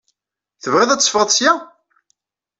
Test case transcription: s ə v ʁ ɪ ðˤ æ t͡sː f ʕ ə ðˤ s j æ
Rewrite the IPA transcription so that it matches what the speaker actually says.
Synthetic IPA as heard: θ ə v ʁ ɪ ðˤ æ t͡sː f ʁ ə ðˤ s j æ

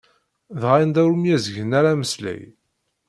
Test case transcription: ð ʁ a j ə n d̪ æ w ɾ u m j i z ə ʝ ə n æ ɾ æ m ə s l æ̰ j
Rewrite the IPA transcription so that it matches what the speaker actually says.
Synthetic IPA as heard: ð ʁ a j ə n d̪ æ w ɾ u m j æ z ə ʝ ə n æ ɾ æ m ə s l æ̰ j

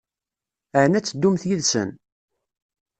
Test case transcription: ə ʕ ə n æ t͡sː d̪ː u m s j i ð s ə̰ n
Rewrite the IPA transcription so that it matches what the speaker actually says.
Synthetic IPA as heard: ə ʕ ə n æ t͡sː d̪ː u m θ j i ð s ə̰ n

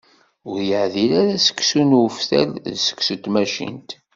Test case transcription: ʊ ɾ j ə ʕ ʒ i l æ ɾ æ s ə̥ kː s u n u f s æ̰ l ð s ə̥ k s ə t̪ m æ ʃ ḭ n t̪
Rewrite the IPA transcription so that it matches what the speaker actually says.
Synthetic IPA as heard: ʊ ɾ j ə ʕ ð i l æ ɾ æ s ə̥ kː s u n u f θ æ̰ l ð s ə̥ k s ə t̪ m æ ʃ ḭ n t̪

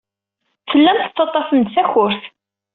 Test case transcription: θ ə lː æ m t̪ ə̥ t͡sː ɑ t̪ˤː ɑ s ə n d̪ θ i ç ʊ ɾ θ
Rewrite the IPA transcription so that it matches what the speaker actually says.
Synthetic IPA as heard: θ ə lː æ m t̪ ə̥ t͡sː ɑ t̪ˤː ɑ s ə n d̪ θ æ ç ʊ ɾ θ

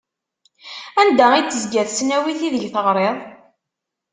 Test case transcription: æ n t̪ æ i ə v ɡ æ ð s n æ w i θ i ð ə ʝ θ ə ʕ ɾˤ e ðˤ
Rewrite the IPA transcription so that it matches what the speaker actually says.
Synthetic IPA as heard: æ n d̪ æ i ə z ɡ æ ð s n æ w i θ i ð ə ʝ θ ə ʁ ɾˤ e ðˤ

